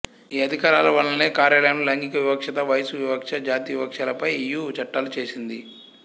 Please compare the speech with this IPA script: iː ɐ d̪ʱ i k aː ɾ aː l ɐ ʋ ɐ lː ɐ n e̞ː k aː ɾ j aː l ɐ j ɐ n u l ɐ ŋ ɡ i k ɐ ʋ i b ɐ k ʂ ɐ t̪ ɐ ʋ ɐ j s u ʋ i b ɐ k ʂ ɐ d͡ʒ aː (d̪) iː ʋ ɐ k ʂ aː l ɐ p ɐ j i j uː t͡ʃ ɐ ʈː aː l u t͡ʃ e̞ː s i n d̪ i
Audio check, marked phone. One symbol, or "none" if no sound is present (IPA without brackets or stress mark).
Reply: t̪